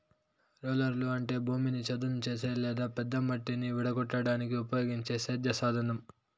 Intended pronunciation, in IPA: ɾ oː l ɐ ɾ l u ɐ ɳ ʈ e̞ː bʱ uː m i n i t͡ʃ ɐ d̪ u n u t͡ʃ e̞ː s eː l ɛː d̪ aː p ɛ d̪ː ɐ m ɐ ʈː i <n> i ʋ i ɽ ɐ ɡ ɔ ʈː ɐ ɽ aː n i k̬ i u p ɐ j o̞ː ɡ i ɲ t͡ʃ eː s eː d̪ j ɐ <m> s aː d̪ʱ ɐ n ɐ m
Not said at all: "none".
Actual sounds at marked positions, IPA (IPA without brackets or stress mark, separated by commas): n, none